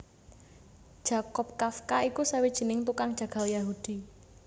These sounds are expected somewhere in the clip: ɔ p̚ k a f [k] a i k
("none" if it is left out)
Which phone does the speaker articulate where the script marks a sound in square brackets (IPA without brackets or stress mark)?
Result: k